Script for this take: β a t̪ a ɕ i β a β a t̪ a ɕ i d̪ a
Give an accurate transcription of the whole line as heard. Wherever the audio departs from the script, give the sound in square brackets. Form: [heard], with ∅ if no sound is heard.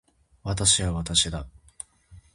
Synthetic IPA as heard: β a t̪ a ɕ i β a β a t̪ a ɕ i d̪ a

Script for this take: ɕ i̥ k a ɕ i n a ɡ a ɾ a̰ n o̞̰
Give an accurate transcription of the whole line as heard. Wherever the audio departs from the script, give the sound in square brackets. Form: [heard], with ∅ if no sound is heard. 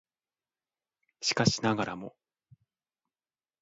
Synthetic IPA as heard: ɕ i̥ k a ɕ i n a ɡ a ɾ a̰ [m] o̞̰

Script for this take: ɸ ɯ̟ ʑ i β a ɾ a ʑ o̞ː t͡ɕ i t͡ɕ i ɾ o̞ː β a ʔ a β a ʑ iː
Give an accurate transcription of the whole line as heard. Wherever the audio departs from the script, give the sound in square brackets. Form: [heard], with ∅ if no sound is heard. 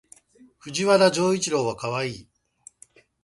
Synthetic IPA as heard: ɸ ɯ̟ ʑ i β a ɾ a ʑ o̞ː [∅] i t͡ɕ i ɾ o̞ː β a [k] a β a [∅] iː

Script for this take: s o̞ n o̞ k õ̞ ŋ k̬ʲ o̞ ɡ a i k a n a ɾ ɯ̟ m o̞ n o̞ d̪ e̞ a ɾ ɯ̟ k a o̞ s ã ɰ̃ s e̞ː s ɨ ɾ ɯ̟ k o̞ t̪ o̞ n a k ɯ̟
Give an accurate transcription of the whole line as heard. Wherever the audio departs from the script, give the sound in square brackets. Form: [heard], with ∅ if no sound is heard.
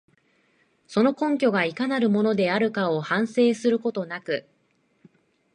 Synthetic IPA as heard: s o̞ n o̞ k õ̞ ŋ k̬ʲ o̞ ɡ a i k a n a ɾ ɯ̟ m o̞ n o̞ d̪ e̞ a ɾ ɯ̟ k a o̞ [h] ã ɰ̃ s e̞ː s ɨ ɾ ɯ̟ k o̞ t̪ o̞ n a k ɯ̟

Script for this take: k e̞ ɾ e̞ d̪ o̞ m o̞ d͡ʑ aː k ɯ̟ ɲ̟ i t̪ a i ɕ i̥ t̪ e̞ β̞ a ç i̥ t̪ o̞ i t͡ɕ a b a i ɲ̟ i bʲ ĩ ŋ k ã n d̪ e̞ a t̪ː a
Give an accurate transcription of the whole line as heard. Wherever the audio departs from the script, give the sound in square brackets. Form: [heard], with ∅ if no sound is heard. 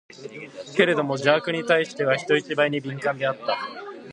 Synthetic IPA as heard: k e̞ ɾ e̞ d̪ o̞ m o̞ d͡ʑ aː k ɯ̟ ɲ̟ i t̪ a i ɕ i̥ t̪ e̞ β̞ a ç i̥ t̪ o̞ i t͡ɕ [i] b a i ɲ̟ i bʲ ĩ ŋ k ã n d̪ e̞ a t̪ː a

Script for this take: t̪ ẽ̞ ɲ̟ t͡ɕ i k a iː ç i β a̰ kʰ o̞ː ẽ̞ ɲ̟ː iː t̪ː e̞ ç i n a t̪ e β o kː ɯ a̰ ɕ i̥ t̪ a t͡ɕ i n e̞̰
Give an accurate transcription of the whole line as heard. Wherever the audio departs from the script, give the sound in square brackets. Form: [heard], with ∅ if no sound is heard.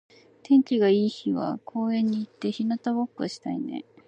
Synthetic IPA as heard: t̪ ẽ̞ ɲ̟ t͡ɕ i [ɡ] a iː ç i β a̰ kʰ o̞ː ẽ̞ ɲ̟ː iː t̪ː e̞ ç i n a t̪ [a] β o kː ɯ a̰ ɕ i̥ t̪ a [∅] i n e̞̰

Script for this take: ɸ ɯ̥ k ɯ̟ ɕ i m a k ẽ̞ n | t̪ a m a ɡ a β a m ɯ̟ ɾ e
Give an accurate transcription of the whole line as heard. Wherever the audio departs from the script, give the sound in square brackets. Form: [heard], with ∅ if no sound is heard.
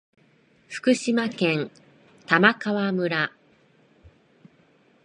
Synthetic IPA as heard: ɸ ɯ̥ k ɯ̟ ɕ i m a k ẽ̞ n | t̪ a m a [k] a β a m ɯ̟ ɾ [a]

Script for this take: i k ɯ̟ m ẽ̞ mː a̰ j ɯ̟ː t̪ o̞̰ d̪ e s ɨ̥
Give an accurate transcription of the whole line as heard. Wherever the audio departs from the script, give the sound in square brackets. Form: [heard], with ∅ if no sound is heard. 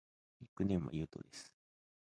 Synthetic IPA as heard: i k ɯ̟ [n] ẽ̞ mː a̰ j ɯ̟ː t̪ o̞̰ d̪ e s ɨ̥

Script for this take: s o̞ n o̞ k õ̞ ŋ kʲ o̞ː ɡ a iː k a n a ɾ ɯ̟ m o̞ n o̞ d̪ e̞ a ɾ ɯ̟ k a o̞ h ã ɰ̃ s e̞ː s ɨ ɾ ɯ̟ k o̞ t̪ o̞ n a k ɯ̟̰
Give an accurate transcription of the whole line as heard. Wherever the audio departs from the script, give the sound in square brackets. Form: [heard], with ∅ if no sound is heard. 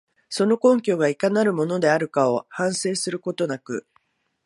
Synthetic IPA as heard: s o̞ n o̞ k õ̞ ŋ kʲ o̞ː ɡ a [i] k a n a ɾ ɯ̟ m o̞ n o̞ d̪ e̞ a ɾ ɯ̟ k a o̞ h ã ɰ̃ s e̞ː s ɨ ɾ ɯ̟ k o̞ t̪ o̞ n a k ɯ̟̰

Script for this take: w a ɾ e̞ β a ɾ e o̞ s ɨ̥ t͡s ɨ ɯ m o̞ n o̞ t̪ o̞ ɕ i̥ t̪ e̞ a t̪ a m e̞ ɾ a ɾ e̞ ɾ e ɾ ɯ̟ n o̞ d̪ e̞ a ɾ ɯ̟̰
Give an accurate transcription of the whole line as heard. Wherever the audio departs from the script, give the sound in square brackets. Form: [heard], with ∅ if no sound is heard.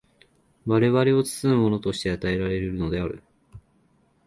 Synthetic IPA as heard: [β] a ɾ e̞ β a ɾ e o̞ [t͡s] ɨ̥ t͡s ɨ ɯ m o̞ n o̞ t̪ o̞ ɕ i̥ t̪ e̞ a t̪ a [∅] e̞ ɾ a ɾ e̞ ɾ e ɾ ɯ̟ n o̞ d̪ e̞ a ɾ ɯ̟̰

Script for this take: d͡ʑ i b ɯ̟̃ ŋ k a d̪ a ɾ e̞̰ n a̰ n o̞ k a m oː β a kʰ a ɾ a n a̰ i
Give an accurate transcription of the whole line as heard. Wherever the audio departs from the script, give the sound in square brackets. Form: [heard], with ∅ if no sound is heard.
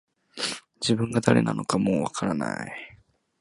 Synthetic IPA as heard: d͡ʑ i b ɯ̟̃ ŋ [ɡ] a d̪ a ɾ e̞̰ n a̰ n o̞ k a m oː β a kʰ a ɾ a n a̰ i

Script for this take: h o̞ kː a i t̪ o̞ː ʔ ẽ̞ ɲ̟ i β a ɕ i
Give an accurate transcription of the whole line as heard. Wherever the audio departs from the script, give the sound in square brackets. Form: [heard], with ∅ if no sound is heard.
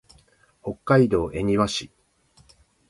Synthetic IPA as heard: h o̞ kː a i [d̪] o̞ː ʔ [e̞] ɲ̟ i β a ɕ i

